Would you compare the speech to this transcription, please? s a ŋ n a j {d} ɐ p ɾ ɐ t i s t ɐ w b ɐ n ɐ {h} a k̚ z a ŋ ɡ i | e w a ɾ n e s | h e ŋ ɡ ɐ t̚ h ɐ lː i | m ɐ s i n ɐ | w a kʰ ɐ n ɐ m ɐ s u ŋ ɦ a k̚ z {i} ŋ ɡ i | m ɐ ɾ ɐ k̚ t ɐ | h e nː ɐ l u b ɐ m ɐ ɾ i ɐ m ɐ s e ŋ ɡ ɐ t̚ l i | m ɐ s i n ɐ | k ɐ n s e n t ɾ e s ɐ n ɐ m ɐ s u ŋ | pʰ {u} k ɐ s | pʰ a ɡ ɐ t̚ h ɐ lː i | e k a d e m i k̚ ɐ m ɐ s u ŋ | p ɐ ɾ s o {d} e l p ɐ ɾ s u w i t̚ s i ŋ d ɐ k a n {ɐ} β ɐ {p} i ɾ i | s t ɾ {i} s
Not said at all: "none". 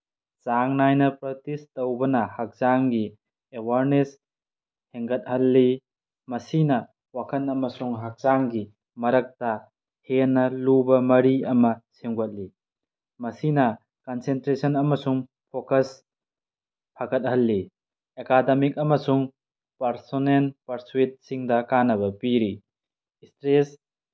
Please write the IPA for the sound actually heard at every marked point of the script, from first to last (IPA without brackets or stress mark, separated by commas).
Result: n, h, a, o, n, ɐ, p, e